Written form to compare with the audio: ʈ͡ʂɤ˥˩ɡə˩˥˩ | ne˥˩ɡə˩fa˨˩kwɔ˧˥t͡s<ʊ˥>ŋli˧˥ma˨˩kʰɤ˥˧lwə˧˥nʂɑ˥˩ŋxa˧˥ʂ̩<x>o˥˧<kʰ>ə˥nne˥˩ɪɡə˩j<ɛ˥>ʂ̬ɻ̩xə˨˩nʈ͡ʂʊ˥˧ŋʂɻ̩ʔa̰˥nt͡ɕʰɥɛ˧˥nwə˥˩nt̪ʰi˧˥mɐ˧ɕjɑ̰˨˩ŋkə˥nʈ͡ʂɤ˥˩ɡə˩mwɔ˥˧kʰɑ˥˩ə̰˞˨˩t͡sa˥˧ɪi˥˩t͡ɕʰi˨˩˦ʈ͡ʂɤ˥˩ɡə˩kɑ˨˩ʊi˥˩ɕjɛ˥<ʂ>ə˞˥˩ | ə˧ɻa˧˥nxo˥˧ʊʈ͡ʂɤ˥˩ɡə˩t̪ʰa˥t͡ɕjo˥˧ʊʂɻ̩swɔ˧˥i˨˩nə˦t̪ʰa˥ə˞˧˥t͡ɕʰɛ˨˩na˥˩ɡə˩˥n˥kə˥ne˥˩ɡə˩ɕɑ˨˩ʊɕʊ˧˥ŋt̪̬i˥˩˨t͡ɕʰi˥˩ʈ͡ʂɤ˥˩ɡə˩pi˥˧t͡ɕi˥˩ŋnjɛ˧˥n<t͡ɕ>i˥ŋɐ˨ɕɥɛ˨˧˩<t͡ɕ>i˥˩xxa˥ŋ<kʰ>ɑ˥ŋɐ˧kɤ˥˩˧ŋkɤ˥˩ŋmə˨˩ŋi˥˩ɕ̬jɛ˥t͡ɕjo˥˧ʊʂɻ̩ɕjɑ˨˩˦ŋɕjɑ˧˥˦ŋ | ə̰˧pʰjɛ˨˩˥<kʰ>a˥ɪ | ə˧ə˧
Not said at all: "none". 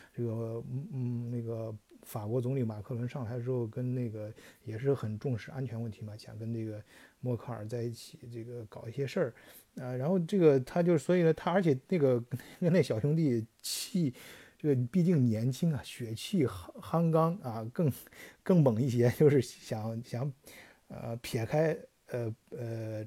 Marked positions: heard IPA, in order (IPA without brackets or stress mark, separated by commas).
ʊ˧˥, ʂ, k, ɛ˨˩, ʂ, t͡ɕʰ, t͡ɕʰ, k, kʰ